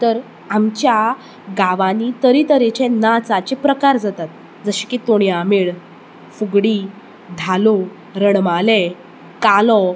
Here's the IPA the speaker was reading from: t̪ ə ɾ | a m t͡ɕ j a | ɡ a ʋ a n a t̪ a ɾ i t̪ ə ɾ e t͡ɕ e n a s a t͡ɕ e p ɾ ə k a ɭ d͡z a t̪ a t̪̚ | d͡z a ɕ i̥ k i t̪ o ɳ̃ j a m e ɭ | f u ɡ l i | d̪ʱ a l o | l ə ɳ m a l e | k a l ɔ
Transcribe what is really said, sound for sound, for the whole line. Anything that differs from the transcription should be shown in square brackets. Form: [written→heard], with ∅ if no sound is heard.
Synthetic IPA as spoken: t̪ ə ɾ | a m t͡ɕ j a | ɡ a ʋ a n [a→i] t̪ [a→ə] ɾ i t̪ ə ɾ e t͡ɕ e n a [s→t͡s] a t͡ɕ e p ɾ ə k a [ɭ→ɾ] d͡z a t̪ a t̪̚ | d͡z [a→ə] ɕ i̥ k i t̪ o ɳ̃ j a m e ɭ | f u ɡ [l→ɽ] i | d̪ʱ a l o | [l→ɾ] ə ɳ m a l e | k a l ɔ